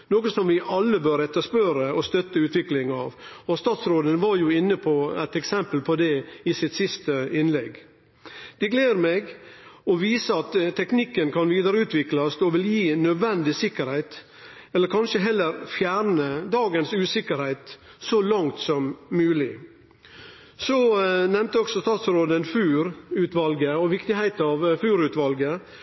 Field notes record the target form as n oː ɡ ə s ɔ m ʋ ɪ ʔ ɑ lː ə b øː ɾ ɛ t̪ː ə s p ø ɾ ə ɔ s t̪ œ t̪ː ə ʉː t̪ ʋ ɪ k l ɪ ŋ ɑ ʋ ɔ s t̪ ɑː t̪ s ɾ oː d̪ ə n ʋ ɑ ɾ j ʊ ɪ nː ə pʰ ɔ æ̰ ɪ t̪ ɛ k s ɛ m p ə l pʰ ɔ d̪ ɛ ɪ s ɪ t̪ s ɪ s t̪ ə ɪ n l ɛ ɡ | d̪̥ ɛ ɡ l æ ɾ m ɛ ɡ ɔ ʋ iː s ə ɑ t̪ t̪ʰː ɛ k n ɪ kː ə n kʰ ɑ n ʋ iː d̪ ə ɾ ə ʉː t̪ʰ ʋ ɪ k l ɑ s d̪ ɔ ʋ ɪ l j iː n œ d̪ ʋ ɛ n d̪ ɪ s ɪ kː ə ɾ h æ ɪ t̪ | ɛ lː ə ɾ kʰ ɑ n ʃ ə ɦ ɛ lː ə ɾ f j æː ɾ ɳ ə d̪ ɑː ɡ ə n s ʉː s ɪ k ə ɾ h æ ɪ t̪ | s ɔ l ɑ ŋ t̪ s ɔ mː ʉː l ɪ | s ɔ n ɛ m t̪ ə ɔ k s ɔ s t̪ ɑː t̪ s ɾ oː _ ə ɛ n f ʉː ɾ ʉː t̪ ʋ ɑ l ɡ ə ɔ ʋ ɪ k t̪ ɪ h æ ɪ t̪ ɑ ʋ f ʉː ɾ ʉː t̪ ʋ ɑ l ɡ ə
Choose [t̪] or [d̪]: d̪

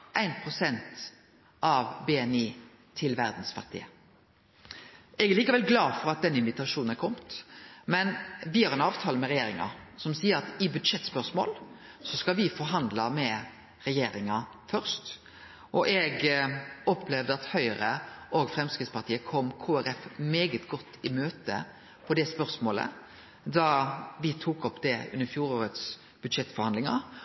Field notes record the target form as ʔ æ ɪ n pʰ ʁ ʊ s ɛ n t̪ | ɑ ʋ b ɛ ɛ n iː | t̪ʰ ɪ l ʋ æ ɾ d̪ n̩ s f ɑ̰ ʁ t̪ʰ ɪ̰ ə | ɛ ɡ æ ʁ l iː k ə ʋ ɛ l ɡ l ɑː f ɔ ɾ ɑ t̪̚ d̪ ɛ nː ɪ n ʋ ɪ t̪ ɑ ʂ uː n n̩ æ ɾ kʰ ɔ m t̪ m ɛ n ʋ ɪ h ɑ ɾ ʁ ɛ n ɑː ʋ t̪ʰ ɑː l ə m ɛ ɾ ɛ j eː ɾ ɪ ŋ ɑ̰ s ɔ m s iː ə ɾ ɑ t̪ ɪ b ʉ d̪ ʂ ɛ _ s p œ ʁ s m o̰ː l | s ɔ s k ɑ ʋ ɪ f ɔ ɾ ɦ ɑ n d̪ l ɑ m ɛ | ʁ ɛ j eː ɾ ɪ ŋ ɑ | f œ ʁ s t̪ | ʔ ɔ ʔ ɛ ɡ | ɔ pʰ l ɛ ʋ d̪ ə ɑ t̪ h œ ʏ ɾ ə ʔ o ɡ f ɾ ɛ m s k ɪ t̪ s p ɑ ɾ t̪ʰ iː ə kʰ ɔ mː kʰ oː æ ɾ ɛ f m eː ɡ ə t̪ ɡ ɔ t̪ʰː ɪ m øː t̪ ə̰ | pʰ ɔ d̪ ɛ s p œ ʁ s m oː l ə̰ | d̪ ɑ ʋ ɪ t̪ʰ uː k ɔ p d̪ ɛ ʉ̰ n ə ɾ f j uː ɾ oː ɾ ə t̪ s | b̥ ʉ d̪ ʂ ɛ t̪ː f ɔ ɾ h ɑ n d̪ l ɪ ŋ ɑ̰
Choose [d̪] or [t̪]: t̪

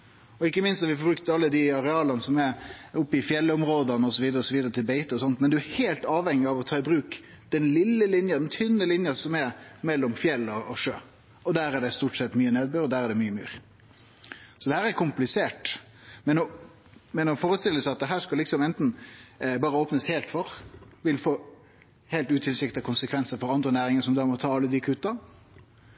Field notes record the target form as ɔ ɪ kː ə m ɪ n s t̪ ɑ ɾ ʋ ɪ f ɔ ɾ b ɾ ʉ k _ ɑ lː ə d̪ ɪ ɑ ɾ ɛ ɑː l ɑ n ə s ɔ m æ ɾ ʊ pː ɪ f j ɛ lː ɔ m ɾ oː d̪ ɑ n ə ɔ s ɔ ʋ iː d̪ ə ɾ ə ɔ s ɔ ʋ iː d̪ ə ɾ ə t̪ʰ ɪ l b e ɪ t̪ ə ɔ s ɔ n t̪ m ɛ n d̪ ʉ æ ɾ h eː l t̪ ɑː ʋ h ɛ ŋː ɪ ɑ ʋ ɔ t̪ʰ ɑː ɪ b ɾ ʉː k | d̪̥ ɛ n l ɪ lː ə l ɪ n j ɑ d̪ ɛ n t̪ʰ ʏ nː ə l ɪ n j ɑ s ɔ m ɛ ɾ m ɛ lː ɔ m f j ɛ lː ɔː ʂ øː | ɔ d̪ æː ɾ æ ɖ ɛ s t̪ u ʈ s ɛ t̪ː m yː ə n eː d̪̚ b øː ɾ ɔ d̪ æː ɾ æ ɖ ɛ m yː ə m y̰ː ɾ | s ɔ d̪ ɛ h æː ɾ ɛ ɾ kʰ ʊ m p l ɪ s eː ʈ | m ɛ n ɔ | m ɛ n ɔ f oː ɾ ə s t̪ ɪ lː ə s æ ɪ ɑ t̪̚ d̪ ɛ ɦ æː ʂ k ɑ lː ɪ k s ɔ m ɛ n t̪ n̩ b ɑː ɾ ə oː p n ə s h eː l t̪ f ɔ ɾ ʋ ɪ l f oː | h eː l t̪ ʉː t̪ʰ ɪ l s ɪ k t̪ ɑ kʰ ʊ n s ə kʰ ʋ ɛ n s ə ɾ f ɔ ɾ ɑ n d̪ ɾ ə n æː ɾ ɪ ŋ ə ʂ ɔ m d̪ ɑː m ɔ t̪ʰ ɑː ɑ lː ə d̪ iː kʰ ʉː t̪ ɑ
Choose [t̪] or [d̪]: t̪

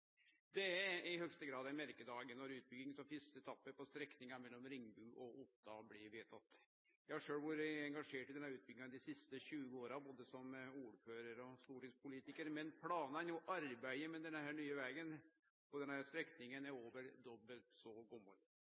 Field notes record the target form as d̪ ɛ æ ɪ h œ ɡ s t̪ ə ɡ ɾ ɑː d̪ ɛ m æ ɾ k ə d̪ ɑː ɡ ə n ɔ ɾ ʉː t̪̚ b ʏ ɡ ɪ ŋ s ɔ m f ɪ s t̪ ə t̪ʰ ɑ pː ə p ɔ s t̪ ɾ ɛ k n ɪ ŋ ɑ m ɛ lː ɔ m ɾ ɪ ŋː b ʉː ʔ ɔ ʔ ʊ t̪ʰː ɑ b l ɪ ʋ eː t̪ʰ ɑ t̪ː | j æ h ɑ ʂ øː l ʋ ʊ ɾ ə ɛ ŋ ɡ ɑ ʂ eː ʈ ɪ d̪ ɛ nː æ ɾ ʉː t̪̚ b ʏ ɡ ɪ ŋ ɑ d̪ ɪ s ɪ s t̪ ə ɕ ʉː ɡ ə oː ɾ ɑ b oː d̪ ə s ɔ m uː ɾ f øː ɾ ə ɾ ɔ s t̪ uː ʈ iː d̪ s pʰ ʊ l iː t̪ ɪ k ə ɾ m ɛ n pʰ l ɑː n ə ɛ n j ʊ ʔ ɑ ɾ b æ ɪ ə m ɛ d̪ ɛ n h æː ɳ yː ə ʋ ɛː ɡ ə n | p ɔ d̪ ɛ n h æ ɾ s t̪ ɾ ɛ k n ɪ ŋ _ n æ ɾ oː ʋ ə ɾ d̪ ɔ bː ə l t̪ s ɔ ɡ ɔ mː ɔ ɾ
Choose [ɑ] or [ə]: ə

